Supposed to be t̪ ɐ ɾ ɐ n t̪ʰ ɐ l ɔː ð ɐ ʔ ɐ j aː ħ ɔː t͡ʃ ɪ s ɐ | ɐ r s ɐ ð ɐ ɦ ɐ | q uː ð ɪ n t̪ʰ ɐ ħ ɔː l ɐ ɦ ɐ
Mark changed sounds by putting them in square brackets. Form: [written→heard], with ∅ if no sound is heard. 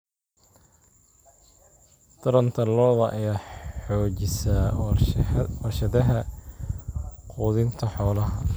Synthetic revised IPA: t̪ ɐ ɾ ɐ n t̪ʰ ɐ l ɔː ð ɐ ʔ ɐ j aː ħ ɔː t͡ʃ ɪ s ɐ | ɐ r [s→ʃ] ɐ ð ɐ ɦ ɐ | q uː ð ɪ n t̪ʰ ɐ ħ ɔː l ɐ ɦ ɐ

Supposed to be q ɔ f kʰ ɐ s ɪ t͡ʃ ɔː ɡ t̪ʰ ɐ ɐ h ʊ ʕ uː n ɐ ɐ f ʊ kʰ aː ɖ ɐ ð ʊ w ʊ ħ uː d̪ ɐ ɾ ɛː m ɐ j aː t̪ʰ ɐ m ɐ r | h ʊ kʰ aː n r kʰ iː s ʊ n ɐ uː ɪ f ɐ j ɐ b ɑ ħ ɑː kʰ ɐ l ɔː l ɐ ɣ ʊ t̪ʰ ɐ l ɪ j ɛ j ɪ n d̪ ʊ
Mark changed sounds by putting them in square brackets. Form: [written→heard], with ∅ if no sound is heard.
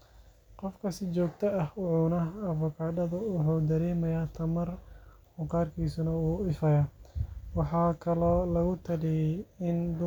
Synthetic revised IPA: q ɔ f kʰ ɐ s ɪ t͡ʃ ɔː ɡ t̪ʰ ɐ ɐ h ʊ ʕ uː n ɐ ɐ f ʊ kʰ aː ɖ ɐ ð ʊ w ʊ ħ uː d̪ ɐ ɾ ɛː m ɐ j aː t̪ʰ ɐ m ɐ r | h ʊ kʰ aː [n→∅] r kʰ iː s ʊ n ɐ uː ɪ f ɐ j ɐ [b→w] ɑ ħ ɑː kʰ ɐ l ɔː l ɐ ɣ ʊ t̪ʰ ɐ l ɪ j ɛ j ɪ n d̪ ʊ

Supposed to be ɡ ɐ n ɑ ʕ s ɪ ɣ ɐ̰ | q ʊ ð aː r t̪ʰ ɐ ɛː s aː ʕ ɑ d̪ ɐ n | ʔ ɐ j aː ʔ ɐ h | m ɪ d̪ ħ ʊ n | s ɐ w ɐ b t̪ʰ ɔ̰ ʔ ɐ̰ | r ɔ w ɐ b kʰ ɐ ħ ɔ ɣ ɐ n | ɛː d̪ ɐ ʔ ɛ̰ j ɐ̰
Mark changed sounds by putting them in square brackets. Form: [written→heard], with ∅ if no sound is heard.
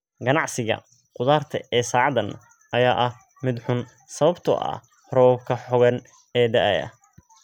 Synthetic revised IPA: ɡ ɐ n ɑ ʕ s ɪ ɣ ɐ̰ | q ʊ ð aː r t̪ʰ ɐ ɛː s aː ʕ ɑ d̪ ɐ n | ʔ ɐ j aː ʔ ɐ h | m ɪ d̪ ħ ʊ n | s ɐ [w→β] ɐ b t̪ʰ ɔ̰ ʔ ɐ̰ | r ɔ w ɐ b kʰ ɐ ħ ɔ ɣ ɐ n | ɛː d̪ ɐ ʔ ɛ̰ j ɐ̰

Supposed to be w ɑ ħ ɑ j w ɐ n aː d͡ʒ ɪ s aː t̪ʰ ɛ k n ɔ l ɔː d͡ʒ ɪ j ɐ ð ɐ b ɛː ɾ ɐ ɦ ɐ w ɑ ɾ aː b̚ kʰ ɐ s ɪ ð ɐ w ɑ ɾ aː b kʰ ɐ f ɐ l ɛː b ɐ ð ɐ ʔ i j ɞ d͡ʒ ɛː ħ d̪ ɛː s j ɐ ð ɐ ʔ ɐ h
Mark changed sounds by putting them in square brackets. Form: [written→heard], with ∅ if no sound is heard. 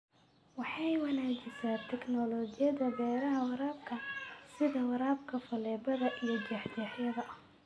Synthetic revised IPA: w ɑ ħ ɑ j w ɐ n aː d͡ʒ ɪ s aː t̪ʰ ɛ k n ɔ l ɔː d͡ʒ ɪ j ɐ ð ɐ b ɛː ɾ ɐ ɦ ɐ w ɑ ɾ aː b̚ kʰ ɐ s ɪ ð ɐ w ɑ ɾ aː b kʰ ɐ f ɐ l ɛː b ɐ ð ɐ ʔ i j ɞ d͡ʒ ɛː ħ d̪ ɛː [s→ħ] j ɐ ð ɐ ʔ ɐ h

